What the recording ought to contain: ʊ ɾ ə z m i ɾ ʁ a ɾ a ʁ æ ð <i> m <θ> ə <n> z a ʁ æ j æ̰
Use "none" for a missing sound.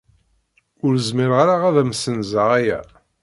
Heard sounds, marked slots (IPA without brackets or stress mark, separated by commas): æ, s, n